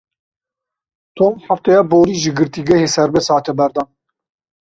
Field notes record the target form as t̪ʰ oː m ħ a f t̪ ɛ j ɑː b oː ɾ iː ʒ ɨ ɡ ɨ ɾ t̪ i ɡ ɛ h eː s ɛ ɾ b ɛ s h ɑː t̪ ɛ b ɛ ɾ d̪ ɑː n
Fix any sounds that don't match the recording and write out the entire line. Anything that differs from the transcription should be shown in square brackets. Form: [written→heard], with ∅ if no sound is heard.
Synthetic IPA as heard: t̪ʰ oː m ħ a f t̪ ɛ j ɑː b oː ɾ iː ʒ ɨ ɡ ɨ ɾ t̪ i ɡ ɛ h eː s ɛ ɾ b ɛ s h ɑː t̪ ɛ b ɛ ɾ d̪ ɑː n